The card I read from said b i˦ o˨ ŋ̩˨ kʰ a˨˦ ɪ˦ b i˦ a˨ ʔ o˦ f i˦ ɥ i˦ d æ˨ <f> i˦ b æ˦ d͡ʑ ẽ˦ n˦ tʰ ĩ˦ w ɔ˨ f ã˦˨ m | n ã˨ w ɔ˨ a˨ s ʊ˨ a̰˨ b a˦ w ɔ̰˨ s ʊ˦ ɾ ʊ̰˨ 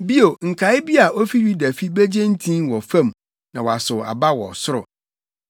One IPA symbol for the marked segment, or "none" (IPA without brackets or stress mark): f